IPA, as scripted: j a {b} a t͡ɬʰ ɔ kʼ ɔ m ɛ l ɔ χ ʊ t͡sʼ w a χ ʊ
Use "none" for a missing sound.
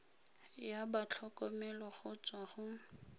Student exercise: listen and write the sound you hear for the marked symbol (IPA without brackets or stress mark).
b